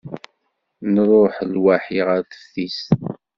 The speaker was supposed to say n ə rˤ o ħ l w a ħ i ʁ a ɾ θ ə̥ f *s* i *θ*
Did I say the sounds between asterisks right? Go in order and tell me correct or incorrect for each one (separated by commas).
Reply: incorrect, incorrect